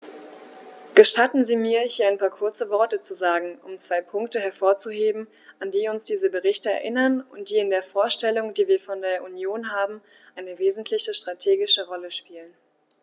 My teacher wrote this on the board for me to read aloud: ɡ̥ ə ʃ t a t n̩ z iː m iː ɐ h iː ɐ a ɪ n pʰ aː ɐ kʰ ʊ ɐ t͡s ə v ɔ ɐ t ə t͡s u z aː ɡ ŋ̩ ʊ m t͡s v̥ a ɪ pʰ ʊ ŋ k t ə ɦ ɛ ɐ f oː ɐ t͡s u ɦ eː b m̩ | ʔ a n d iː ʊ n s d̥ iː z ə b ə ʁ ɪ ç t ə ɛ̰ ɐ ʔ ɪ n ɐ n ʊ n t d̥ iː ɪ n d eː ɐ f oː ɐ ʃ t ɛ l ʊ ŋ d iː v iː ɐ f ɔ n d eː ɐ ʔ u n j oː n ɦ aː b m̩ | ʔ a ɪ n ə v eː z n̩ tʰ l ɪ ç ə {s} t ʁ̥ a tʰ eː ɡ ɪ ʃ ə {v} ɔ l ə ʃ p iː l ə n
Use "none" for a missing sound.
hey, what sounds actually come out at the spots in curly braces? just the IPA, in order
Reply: ʃ, ʁ

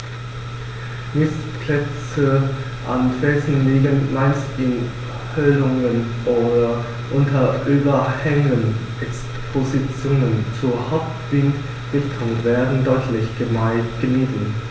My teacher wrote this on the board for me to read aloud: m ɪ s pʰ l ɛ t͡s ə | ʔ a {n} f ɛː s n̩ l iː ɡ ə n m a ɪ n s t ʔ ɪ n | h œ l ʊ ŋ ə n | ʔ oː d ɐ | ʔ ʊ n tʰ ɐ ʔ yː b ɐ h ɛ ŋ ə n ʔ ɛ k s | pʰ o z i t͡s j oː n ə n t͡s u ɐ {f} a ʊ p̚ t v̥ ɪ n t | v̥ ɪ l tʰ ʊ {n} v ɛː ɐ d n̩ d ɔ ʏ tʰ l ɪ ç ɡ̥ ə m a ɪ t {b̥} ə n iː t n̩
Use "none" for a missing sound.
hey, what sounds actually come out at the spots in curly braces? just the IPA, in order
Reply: n, h, ŋ, ɡ̥

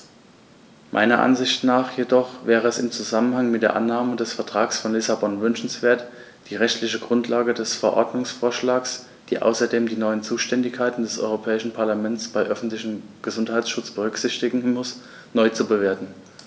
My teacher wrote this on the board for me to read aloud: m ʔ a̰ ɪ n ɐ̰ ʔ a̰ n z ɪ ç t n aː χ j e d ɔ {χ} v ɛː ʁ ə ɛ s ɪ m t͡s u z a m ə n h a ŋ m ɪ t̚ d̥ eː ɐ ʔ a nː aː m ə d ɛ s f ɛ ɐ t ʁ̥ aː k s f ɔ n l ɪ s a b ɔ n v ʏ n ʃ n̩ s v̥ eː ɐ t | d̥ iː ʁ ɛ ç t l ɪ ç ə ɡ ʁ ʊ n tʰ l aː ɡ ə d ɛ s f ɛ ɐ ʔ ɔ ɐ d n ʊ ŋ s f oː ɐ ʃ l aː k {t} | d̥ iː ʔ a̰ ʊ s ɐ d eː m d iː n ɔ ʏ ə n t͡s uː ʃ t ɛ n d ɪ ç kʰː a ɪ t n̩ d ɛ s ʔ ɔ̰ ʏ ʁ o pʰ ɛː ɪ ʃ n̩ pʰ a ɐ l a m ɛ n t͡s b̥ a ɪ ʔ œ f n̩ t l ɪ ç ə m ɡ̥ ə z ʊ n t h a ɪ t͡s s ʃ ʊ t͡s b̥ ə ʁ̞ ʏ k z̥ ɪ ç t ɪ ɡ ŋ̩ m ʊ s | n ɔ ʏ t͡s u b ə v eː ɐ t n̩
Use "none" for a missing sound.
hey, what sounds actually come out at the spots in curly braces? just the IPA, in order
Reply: χ, s

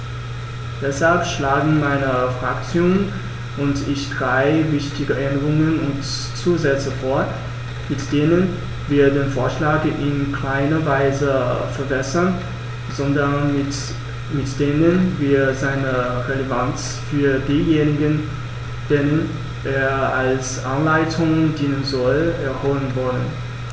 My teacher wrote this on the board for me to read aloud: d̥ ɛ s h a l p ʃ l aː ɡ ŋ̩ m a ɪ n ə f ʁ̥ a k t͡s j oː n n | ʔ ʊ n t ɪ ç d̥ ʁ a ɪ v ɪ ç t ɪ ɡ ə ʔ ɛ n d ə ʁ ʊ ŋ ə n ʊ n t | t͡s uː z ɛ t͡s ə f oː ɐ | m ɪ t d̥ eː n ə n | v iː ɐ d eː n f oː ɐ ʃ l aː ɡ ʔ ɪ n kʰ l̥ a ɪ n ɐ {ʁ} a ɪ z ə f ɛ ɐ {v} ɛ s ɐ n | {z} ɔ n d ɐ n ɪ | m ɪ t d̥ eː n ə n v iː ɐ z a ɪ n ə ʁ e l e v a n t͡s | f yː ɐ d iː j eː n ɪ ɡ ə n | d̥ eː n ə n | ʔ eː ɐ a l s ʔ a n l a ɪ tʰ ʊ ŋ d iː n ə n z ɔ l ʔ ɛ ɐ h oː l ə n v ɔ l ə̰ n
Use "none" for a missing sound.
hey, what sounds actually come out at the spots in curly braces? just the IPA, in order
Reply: v, b, z

